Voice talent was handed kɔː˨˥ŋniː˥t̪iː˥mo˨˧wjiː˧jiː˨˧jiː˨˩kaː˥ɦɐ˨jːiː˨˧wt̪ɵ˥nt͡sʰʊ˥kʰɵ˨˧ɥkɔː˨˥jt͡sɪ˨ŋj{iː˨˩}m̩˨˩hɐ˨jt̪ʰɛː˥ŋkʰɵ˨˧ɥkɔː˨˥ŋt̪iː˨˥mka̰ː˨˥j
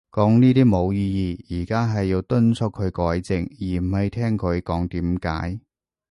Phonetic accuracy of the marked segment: correct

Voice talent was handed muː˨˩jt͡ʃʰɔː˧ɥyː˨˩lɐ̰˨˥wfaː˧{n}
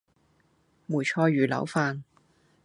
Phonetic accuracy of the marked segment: correct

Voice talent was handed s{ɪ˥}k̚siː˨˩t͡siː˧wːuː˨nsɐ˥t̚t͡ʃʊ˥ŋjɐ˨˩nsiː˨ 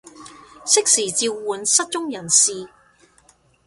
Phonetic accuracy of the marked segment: correct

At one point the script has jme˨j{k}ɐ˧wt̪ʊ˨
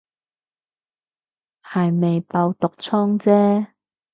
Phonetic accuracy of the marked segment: incorrect: p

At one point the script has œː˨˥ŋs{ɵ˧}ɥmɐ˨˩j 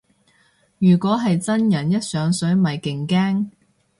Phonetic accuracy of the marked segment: incorrect: ɵ˨˥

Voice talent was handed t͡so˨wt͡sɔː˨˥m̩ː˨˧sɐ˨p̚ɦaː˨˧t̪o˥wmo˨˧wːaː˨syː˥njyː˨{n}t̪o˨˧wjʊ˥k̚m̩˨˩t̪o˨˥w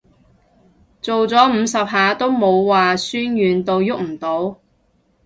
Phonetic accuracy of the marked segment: correct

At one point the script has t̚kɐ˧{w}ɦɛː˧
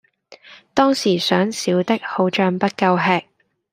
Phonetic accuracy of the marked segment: correct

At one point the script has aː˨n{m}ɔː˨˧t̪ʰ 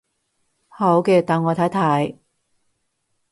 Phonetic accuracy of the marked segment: incorrect: ŋ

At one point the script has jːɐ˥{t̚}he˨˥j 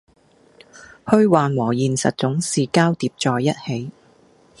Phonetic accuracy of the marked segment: correct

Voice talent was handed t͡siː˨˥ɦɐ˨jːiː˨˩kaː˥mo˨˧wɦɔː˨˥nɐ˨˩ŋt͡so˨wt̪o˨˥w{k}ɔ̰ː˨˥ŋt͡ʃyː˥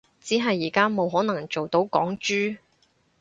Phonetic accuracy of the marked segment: correct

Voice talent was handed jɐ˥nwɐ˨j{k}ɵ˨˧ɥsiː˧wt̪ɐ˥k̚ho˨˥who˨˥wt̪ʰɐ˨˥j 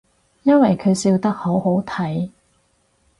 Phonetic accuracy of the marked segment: incorrect: kʰ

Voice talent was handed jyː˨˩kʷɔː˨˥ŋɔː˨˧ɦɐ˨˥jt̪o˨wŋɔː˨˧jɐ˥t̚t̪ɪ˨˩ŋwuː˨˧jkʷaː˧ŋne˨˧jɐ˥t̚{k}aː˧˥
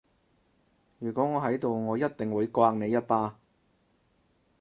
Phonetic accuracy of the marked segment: incorrect: p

